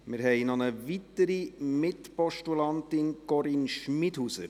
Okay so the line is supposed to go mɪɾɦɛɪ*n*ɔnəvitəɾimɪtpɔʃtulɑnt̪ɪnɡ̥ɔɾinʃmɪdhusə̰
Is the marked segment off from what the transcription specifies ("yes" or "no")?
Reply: no